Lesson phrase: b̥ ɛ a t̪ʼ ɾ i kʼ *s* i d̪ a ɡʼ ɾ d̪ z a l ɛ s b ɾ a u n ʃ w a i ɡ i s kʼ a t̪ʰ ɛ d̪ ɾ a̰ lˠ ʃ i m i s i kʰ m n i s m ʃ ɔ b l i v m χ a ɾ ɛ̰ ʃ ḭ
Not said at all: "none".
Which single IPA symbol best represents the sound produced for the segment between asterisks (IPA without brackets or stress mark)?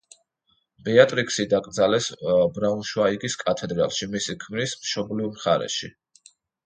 s